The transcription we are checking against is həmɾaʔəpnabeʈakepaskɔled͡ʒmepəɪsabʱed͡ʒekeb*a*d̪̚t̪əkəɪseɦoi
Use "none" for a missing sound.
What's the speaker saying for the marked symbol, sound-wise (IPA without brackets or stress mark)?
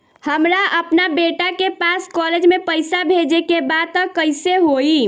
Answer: a